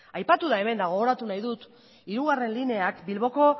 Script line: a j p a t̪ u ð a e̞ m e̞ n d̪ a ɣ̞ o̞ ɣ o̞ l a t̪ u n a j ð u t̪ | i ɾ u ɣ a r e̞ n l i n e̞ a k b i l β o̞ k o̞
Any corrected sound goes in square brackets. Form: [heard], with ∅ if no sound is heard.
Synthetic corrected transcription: a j p a t̪ u ð a e̞ m e̞ n d̪ a ɣ̞ o̞ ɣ o̞ [ɾ] a t̪ u n a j ð u t̪ | i ɾ u ɣ a r e̞ n l i n e̞ a k b i l β o̞ k o̞